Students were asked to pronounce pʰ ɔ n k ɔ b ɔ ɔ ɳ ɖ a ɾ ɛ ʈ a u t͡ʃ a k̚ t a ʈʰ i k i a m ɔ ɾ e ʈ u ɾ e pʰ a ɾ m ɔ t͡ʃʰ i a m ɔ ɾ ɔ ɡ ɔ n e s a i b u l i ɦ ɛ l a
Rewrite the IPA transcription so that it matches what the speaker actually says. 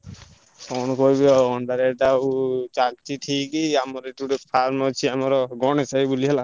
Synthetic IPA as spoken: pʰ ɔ n k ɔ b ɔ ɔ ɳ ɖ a ɾ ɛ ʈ a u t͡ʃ a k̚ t i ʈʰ i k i a m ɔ ɾ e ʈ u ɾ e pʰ a ɾ m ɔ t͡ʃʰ i a m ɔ ɾ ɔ ɡ ɔ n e s a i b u l i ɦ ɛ l a

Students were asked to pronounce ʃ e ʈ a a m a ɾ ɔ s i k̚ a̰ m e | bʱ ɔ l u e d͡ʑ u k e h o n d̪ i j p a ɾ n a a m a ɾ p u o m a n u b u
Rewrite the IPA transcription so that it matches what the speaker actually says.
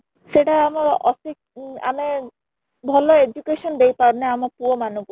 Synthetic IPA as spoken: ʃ e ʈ a a m a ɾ ɔ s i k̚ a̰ m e | bʱ ɔ l o e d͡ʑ u k e ʃ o n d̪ e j p a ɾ n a a m a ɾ p u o m a n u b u

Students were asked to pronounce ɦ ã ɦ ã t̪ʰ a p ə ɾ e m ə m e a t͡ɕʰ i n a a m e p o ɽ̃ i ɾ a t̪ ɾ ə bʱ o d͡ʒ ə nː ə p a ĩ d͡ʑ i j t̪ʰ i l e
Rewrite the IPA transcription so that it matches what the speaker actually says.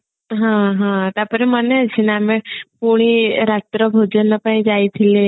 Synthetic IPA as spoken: ɦ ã ɦ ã t̪ a p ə ɾ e m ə n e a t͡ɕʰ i n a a m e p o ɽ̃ i ɾ a t̪ ɾ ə bʱ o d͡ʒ ə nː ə p a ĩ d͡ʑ a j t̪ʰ i l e

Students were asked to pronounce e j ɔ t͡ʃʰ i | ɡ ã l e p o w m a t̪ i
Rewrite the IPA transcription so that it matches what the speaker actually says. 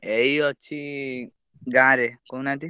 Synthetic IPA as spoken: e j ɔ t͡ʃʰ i | ɡ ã ɾ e k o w n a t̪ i

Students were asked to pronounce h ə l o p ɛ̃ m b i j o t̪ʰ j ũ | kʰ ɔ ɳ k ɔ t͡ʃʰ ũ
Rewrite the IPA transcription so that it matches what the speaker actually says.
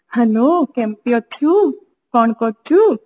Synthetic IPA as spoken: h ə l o k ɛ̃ m p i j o t̪ʰ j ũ | k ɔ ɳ k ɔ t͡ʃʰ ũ

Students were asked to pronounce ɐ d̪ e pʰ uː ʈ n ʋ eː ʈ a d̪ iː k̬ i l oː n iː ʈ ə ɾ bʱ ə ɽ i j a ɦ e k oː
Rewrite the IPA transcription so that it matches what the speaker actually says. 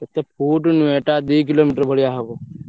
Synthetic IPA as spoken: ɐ t̪ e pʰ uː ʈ n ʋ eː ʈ a d̪ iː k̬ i l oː m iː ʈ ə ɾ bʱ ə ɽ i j a ɦ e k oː

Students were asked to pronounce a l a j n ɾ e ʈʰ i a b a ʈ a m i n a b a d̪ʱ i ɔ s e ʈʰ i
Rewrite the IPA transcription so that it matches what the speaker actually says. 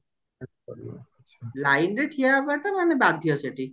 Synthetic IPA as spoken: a l a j n ɾ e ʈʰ i a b a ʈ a m a n e b a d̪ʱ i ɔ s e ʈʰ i

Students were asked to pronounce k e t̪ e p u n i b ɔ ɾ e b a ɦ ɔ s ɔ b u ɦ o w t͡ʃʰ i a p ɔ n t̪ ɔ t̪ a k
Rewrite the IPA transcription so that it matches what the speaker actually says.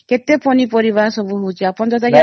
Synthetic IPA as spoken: k e t̪ e p ɔ n i p ɔ ɾ i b a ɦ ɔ s ɔ b u ɦ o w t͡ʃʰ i a p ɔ n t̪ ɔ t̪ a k

